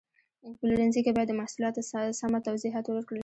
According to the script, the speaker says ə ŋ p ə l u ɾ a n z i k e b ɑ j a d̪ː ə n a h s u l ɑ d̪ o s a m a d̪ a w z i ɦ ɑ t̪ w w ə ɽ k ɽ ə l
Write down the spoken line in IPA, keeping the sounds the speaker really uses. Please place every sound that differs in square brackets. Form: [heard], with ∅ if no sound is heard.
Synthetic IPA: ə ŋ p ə l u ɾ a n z i k e b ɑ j a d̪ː ə [m] a h s u l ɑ [t̪] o s a m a [t̪] a w z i ɦ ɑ t̪ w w ə [ɾ] k ɽ ə l